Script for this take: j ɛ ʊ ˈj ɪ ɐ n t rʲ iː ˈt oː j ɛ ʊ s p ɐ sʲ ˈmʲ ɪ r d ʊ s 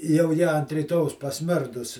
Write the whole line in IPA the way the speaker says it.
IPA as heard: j ɛ ʊ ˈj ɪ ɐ n t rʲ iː ˈt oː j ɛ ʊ s p ɐ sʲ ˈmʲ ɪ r d ʊ s